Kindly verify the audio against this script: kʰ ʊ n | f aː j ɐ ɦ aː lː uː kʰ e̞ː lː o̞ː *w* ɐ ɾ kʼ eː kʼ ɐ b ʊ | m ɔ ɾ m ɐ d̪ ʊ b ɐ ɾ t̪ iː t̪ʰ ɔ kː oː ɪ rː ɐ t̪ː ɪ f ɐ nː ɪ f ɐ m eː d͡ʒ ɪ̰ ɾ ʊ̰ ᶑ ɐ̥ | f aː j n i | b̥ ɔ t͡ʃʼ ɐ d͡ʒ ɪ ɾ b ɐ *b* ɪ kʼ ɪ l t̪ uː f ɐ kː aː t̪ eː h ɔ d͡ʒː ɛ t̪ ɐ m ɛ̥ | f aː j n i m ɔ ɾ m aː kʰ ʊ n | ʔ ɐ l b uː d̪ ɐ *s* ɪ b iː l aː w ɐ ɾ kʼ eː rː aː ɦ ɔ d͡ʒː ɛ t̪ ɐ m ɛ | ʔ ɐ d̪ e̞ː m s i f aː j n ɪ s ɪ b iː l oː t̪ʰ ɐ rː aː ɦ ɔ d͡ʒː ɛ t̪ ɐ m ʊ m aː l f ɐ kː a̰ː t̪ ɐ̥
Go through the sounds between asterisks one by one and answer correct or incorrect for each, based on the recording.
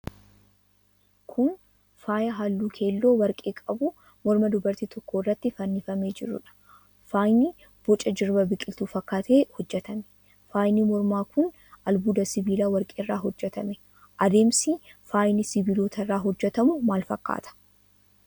correct, correct, correct

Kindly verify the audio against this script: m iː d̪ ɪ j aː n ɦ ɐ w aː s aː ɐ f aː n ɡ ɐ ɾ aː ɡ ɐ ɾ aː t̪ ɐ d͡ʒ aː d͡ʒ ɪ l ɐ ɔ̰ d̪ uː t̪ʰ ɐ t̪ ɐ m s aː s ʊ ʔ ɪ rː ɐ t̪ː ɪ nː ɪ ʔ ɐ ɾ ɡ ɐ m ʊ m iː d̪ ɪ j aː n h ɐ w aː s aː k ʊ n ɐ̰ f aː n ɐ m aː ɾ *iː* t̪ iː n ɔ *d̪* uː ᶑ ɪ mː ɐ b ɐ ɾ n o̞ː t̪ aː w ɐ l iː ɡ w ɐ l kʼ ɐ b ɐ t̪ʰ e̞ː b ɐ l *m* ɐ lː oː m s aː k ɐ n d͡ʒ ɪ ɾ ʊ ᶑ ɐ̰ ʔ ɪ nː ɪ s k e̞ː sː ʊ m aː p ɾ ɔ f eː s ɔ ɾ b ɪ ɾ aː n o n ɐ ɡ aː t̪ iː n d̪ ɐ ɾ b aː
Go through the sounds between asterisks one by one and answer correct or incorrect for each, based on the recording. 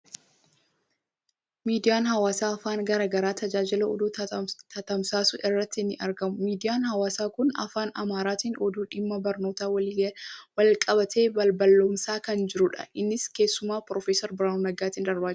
incorrect, correct, incorrect

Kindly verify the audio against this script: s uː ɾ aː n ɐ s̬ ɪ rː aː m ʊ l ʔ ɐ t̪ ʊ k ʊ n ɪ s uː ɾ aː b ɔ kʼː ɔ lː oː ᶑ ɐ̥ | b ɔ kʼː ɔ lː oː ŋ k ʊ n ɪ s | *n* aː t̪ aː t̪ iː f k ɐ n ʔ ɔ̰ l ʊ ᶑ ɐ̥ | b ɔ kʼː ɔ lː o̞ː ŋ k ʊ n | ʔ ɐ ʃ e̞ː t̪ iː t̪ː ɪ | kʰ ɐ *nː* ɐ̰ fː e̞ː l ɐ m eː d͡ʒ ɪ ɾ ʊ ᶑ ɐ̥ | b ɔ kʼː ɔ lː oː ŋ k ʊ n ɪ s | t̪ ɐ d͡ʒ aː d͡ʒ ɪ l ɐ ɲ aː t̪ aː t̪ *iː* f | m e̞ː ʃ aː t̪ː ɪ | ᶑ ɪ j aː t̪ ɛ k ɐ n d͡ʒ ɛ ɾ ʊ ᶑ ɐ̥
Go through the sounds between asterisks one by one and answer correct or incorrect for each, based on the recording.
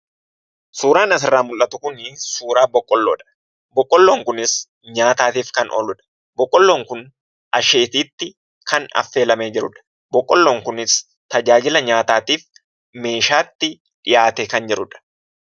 incorrect, incorrect, correct

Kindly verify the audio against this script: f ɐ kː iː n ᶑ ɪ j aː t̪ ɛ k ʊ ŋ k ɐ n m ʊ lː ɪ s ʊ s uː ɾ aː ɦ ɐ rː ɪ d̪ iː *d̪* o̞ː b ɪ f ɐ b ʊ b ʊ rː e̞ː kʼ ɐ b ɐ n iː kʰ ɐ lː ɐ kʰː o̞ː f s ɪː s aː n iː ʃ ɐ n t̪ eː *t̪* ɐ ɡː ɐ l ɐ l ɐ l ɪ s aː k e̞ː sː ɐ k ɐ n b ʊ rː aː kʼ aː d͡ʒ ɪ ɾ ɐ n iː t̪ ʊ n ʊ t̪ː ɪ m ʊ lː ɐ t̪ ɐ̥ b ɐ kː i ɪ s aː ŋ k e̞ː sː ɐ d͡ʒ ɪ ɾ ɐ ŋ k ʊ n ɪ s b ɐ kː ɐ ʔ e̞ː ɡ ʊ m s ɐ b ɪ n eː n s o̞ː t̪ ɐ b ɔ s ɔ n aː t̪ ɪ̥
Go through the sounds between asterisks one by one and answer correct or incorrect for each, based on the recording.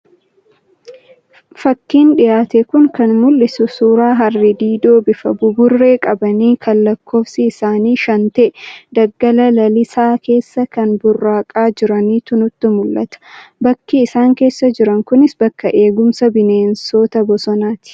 correct, incorrect

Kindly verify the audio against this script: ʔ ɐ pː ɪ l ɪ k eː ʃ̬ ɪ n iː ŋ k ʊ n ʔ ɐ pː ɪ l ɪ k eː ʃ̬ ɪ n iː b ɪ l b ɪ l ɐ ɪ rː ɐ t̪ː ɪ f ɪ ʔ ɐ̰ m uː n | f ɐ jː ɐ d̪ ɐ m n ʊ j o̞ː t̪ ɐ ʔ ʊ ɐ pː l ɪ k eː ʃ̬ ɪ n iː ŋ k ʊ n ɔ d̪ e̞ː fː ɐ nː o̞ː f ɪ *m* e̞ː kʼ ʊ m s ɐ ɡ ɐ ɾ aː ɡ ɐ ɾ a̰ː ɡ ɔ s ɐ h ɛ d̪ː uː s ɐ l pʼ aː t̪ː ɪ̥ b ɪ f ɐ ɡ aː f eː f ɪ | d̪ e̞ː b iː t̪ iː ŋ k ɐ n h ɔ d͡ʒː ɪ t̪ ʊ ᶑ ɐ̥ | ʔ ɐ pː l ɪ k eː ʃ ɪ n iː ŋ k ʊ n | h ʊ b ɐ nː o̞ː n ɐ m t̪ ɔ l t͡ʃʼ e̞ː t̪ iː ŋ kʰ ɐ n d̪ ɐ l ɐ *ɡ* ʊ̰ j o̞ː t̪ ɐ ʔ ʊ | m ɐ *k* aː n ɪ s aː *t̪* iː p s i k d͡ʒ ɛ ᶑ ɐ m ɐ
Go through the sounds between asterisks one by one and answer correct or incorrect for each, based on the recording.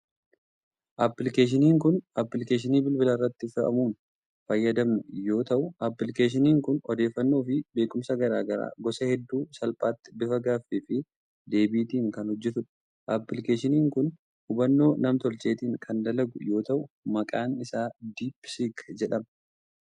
incorrect, correct, incorrect, incorrect

